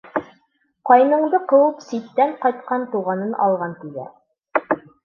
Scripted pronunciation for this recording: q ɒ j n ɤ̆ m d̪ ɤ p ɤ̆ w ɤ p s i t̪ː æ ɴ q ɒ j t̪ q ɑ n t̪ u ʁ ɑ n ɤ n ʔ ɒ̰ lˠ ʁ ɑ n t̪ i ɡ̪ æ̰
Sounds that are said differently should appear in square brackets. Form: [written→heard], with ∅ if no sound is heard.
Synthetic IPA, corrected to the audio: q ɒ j n ɤ̆ [m→ɴ] d̪ ɤ [p→q] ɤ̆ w ɤ p s i t̪ː æ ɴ q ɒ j t̪ q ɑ n t̪ u ʁ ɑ n ɤ n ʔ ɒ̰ lˠ ʁ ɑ n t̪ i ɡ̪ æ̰